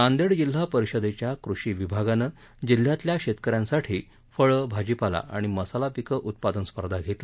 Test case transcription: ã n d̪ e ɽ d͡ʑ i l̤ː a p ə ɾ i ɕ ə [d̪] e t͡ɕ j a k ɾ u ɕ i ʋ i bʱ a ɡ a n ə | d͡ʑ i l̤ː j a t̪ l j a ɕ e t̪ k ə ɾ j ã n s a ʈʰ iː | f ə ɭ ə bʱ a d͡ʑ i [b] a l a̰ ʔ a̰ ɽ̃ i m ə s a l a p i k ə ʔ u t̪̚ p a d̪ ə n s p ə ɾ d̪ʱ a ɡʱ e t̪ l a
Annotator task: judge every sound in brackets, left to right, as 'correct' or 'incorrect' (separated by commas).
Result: correct, incorrect